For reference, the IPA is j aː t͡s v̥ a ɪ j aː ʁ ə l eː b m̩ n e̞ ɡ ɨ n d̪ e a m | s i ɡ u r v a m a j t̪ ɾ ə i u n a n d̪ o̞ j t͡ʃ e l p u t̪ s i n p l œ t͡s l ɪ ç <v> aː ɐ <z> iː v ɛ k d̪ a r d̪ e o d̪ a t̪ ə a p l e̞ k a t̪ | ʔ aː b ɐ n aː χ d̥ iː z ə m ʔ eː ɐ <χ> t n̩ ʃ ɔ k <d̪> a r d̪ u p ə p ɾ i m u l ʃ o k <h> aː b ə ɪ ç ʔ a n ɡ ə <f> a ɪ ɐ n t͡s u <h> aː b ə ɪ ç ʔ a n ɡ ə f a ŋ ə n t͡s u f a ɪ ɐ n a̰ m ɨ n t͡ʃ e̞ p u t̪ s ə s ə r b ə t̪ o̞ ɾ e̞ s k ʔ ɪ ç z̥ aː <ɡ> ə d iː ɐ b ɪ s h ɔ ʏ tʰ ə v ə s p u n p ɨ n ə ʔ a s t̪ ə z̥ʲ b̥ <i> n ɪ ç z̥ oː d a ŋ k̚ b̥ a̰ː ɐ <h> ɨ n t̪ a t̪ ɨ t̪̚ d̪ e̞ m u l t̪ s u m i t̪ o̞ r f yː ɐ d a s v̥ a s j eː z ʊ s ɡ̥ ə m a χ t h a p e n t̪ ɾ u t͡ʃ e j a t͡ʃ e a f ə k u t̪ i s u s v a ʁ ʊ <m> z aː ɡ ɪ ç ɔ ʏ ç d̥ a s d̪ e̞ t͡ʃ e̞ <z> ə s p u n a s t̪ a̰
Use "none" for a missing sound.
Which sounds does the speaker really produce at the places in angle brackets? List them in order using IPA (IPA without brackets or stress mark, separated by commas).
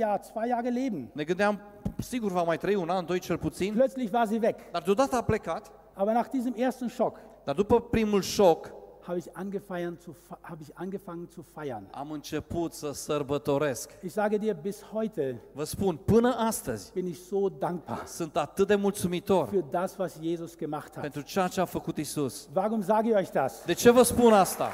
v, z, s, d̪, h, f, h, ɡ, ɪ, s, m, v